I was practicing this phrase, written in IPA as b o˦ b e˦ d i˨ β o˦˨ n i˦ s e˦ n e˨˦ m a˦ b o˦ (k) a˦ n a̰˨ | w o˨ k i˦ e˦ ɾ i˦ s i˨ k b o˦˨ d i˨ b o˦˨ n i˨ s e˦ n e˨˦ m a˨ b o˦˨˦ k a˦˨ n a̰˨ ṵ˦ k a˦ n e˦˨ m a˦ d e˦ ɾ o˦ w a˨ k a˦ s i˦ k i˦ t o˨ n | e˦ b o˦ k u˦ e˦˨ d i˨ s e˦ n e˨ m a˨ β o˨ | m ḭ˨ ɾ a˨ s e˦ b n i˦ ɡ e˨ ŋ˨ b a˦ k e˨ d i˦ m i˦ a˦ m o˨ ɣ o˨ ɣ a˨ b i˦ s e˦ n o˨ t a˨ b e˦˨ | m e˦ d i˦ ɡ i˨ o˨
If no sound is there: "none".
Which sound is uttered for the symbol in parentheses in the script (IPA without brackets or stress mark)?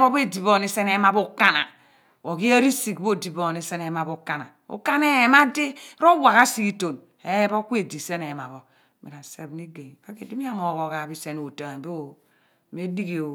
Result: k